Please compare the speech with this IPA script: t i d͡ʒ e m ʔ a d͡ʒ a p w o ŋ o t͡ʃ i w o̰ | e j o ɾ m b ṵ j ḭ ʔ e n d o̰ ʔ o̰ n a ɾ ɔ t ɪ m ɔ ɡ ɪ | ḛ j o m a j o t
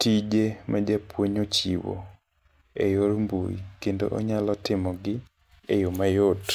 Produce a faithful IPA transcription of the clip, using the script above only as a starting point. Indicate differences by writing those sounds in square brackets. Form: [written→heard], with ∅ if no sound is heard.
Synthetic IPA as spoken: t i d͡ʒ e m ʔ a d͡ʒ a p w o [ŋ→ɲ] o t͡ʃ i w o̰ | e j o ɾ m b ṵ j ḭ [ʔ→k] e n d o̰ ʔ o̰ [n→ɲ] a [ɾ→l] ɔ t ɪ m ɔ ɡ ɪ | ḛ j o m a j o t